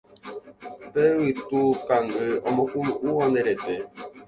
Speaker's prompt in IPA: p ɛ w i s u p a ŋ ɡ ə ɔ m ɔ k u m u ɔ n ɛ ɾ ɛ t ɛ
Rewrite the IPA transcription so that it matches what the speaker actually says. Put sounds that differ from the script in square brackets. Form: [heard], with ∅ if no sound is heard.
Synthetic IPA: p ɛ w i [t] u [k] a ŋ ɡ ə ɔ m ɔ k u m u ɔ n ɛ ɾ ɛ t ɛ